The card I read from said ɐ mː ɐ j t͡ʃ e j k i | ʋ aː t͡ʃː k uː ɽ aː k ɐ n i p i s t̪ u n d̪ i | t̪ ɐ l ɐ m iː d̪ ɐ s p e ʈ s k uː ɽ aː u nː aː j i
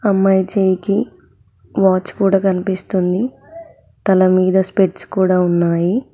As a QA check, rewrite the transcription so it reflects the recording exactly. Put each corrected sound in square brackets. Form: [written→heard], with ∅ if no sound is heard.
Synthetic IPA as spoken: ɐ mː ɐ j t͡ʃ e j k i | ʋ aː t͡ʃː k uː ɽ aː k ɐ n i p i s t̪ u n d̪ i | t̪ ɐ l ɐ m iː d̪ ɐ s p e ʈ s k uː ɽ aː u nː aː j i

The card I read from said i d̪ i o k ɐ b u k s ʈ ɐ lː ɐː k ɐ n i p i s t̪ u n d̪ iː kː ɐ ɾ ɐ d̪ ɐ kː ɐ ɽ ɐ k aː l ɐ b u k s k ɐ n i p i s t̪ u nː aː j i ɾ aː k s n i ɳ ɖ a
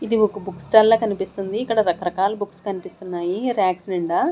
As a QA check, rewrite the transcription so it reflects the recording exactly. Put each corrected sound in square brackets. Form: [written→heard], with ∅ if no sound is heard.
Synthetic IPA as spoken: i d̪ i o k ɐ b u k s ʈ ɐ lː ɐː k ɐ n i p i s t̪ u n d̪ iː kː ɐ [ɾ→ɽ] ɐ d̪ ɐ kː ɐ [ɽ→ɾ] ɐ k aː l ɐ b u k s k ɐ n i p i s t̪ u nː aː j i ɾ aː k s n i ɳ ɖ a

